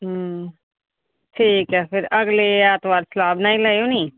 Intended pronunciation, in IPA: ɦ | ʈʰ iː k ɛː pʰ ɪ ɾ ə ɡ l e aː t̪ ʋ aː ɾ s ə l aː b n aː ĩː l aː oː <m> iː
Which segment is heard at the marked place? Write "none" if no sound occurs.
n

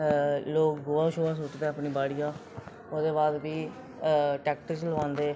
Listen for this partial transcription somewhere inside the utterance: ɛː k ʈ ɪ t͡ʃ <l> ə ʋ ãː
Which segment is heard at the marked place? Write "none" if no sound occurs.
l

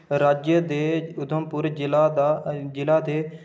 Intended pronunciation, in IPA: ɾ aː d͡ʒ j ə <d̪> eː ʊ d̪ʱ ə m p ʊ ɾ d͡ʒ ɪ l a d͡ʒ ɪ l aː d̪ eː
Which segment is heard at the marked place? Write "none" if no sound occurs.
d̪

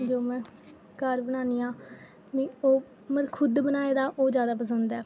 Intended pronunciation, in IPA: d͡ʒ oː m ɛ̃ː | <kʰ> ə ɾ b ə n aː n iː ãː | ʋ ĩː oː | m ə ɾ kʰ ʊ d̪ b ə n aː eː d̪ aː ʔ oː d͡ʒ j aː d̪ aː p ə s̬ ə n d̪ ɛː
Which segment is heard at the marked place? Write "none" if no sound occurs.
k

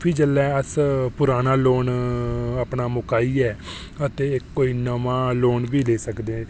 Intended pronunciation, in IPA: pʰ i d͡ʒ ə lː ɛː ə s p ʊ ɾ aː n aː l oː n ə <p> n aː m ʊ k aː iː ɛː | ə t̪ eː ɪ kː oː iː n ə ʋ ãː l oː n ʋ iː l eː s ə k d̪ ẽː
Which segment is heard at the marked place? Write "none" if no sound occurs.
p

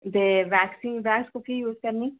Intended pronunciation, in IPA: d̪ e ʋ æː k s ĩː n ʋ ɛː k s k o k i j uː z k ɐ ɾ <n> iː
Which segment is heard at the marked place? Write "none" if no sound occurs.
n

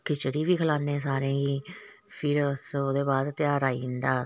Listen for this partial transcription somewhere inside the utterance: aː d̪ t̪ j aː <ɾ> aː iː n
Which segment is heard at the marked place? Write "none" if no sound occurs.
ɾ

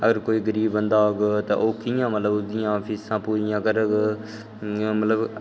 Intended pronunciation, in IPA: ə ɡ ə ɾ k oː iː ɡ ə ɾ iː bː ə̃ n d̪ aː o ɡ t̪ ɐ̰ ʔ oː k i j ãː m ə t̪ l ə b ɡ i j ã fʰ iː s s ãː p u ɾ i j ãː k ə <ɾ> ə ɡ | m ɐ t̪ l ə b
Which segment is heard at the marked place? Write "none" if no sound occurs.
ɾ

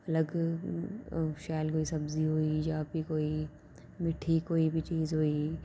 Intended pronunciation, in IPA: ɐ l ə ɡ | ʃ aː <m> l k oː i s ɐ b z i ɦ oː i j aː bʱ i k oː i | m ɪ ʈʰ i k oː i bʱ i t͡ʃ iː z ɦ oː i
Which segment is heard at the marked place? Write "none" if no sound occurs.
none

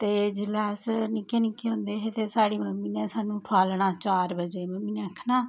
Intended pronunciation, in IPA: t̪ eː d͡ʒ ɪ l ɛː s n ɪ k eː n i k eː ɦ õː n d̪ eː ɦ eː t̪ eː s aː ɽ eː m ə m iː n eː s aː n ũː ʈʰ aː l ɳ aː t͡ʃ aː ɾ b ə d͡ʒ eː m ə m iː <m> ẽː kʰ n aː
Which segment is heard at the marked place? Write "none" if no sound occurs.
n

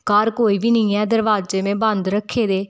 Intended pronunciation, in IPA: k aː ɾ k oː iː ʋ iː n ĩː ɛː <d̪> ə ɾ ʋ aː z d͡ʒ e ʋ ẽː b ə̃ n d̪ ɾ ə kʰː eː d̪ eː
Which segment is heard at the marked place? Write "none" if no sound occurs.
d̪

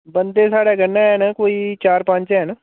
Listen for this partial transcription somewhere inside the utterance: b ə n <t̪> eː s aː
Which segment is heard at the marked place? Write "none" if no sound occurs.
d̪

